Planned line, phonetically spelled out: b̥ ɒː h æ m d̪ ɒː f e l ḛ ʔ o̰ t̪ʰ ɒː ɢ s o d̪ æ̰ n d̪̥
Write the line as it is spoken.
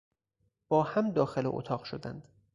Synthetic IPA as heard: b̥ ɒː h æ m d̪ ɒː x e l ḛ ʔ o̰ t̪ʰ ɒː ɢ ʃ o d̪ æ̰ n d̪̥